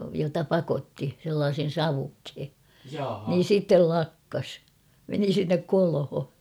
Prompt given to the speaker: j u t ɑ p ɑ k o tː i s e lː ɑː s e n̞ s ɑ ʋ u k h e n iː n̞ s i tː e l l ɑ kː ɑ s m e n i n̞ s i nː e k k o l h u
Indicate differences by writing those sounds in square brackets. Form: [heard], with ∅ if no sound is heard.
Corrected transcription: j [o] t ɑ p ɑ k o tː i s e lː ɑː s e n̞ s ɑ ʋ u k h e n iː n̞ s i tː e l l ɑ kː ɑ s m e n i [∅] s i nː e k k o l h [o]

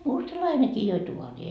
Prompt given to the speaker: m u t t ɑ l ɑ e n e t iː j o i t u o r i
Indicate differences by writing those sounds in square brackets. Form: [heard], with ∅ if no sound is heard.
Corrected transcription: m u [s] t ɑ l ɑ [i] n e [k] iː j o i t u o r [iː]

